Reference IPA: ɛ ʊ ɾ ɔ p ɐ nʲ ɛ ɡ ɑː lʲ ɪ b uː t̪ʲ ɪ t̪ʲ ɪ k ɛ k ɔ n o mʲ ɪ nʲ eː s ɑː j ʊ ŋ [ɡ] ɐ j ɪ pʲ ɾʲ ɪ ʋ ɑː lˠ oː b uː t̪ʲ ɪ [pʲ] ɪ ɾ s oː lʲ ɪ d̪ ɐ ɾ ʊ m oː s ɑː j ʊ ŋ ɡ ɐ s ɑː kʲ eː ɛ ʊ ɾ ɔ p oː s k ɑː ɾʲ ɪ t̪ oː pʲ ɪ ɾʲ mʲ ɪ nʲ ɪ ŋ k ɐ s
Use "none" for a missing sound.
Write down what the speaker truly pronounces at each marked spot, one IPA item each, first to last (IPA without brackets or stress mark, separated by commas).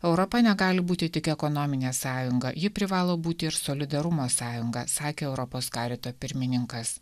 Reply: ɡ, none